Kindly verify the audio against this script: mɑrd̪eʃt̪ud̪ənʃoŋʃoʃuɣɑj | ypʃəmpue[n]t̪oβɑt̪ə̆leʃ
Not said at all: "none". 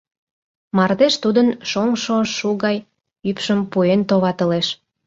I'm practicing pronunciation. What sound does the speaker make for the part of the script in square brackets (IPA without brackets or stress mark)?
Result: n